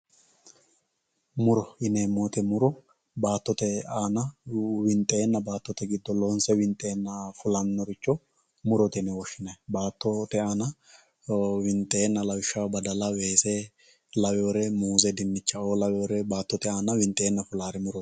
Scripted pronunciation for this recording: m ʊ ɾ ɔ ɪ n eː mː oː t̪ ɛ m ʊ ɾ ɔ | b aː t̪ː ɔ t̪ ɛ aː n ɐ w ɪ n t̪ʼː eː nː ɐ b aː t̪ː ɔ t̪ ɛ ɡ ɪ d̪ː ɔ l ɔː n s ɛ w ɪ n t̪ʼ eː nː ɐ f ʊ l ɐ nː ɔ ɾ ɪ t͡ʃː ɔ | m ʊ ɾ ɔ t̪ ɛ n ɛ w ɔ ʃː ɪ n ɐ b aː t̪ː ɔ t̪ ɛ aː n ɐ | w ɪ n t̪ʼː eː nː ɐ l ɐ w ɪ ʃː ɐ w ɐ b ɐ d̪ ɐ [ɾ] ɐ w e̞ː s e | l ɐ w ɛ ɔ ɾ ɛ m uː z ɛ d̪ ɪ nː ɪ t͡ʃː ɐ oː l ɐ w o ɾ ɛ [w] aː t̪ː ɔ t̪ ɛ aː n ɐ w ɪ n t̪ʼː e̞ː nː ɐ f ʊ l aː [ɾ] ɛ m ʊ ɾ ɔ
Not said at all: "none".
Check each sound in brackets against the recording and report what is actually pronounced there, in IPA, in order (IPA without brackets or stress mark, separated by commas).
l, b, ɾ